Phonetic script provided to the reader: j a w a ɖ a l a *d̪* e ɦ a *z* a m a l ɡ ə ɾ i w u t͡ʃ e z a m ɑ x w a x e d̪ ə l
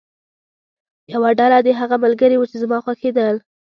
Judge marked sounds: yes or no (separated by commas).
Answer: yes, no